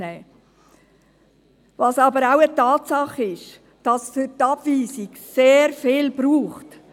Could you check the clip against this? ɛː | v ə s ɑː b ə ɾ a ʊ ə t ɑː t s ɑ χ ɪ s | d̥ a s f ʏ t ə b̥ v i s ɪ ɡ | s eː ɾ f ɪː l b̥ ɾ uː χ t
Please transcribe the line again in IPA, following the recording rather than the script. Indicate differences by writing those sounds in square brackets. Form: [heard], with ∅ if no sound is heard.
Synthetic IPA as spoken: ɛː | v [ɑ] s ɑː b ə ɾ a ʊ ə t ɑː t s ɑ χ ɪ [ʃ] | d̥ [ɑ] s f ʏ t [ɑ] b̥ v [iː] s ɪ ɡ | s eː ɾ f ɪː l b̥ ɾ uː χ t